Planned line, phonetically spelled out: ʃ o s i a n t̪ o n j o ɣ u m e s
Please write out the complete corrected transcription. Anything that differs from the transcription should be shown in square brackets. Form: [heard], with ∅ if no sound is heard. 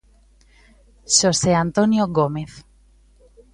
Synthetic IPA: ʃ o s [e] a n t̪ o n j o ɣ [o] m e [θ]